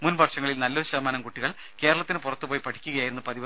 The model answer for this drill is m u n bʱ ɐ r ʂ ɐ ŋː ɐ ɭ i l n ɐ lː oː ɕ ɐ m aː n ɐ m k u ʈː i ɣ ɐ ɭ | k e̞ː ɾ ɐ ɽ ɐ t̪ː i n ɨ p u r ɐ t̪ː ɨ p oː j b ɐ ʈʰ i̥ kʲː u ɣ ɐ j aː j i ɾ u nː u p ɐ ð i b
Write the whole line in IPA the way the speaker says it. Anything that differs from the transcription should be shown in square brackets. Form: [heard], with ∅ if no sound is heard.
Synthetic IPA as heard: m u n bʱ ɐ r ʂ ɐ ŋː ɐ ɭ i l n ɐ lː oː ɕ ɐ m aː n ɐ m k u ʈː i ɣ ɐ ɭ | k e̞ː ɾ ɐ [ɭ] ɐ t̪ː i n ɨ p u r ɐ t̪ː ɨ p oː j [p] ɐ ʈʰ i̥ kʲː u ɣ ɐ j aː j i ɾ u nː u p ɐ ð i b

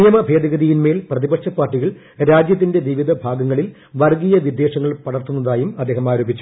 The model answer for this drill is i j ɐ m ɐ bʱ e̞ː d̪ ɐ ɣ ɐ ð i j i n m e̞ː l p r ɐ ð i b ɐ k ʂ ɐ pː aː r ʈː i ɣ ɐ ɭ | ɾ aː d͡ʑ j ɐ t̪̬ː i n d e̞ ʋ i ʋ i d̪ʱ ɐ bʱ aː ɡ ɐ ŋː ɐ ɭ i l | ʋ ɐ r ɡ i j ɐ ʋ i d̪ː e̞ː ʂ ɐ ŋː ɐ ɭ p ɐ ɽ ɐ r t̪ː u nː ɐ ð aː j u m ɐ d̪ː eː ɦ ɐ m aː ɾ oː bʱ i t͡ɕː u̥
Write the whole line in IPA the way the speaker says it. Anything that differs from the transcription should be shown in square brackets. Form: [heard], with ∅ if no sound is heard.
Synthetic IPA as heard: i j ɐ m ɐ bʱ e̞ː d̪ ɐ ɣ ɐ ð i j i n m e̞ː l p r ɐ ð i b ɐ k ʂ ɐ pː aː r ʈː i ɣ ɐ ɭ | ɾ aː d͡ʑ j ɐ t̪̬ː i n d e̞ ʋ i ʋ i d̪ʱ ɐ bʱ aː ɡ ɐ ŋː ɐ ɭ i l | ʋ ɐ r ɡ i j ɐ ʋ i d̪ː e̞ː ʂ ɐ ŋː ɐ ɭ p ɐ ɽ ɐ r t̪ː u nː ɐ ð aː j u m ɐ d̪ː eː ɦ ɐ m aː ɾ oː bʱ i t͡ɕː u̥

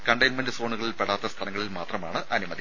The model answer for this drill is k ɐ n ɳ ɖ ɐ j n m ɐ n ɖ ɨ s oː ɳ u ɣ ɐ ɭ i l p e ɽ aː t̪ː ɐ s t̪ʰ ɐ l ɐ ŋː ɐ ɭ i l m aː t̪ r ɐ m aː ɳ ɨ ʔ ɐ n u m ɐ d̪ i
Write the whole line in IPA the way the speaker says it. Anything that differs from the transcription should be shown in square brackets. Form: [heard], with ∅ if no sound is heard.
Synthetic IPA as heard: k ɐ [∅] ɳ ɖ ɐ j n m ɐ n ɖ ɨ s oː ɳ u ɣ ɐ ɭ i l p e ɽ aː t̪ː ɐ s t̪ʰ ɐ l ɐ ŋː ɐ ɭ i l m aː t̪ r ɐ m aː ɳ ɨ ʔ ɐ n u m ɐ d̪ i

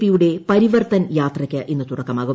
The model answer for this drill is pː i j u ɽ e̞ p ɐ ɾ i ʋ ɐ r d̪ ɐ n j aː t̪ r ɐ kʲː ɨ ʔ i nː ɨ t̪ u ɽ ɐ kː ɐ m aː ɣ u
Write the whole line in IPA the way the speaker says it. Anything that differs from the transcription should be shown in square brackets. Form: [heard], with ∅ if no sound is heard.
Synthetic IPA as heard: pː i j u ɽ e̞ p ɐ ɾ i ʋ ɐ r [t̪] ɐ n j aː t̪ r ɐ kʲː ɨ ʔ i nː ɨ t̪ u ɽ ɐ kː ɐ m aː ɣ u

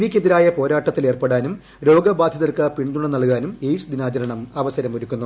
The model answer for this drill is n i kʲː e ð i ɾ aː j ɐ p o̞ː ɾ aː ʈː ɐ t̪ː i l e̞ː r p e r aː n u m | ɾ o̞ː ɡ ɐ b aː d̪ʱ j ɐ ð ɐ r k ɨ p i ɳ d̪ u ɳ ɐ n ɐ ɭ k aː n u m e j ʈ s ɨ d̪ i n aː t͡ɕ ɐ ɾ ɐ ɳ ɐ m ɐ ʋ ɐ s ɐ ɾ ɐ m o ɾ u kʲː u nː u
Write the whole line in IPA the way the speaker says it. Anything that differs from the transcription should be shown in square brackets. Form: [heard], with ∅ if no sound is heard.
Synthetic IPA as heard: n i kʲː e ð i ɾ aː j ɐ p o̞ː ɾ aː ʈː ɐ t̪ː i l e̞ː r p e [ɽ] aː n u m | ɾ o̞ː ɡ ɐ b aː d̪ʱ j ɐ ð ɐ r k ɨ p i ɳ d̪ u ɳ ɐ n ɐ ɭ k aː n u m e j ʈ s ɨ d̪ i n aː t͡ɕ ɐ ɾ ɐ ɳ ɐ m ɐ ʋ ɐ s ɐ ɾ ɐ m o ɾ u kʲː u nː u

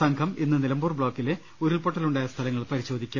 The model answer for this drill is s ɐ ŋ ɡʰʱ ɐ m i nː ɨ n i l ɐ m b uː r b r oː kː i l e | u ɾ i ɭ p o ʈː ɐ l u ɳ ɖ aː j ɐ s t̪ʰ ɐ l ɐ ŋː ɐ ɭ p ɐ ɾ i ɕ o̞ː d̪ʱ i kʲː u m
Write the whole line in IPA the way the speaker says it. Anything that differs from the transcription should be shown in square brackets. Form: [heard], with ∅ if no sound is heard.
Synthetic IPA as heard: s ɐ ŋ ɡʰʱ ɐ m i nː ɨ n i l ɐ m b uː r b [ɭ] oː kː i l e | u ɾ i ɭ p o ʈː ɐ l u ɳ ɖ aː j ɐ s t̪ʰ ɐ l ɐ ŋː ɐ ɭ p ɐ ɾ i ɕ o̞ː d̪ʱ i kʲː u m

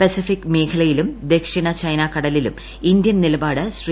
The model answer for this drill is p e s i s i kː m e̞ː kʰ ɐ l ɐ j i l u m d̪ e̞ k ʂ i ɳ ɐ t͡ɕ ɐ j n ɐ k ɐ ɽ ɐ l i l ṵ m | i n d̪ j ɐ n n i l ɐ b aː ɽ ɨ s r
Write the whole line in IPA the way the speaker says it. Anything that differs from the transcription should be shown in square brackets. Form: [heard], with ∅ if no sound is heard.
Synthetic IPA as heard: p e s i [f] i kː m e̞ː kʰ ɐ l ɐ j i l u m d̪ e̞ k ʂ i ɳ ɐ t͡ɕ ɐ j n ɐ k ɐ ɽ ɐ l i l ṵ m | i n d̪ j ɐ n n i l ɐ b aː ɽ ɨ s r

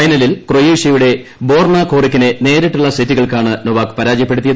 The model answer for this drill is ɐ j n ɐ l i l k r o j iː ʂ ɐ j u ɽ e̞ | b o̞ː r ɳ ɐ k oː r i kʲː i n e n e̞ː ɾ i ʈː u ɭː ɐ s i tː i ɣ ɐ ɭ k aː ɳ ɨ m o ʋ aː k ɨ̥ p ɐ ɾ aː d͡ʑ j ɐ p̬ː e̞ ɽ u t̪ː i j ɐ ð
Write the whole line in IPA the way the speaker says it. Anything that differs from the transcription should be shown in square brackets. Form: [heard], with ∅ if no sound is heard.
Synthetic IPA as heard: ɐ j n ɐ l i l k r o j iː ʂ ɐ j u ɽ e̞ | b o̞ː r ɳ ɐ k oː r i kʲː i n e n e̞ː ɾ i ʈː u ɭː ɐ s i tː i ɣ ɐ ɭ k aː ɳ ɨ [n] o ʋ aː k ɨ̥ p ɐ ɾ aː d͡ʑ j ɐ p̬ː e̞ ɽ u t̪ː i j ɐ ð

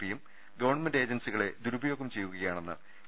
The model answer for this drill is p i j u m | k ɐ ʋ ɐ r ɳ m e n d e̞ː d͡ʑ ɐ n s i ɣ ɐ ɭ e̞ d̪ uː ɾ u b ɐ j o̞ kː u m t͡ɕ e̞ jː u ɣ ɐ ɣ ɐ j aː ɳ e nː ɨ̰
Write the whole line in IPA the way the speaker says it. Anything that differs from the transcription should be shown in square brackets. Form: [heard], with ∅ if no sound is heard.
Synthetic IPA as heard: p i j u m | [ɡ] ɐ ʋ ɐ r ɳ m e n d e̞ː d͡ʑ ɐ n s i ɣ ɐ ɭ e̞ d̪ [u] ɾ u b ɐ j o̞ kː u m t͡ɕ e̞ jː u ɣ ɐ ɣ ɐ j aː ɳ e nː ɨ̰

